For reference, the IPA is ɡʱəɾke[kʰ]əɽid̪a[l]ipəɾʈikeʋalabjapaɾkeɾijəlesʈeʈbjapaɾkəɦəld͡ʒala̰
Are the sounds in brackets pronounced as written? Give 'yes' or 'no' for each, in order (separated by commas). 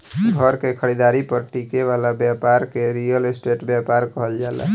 yes, no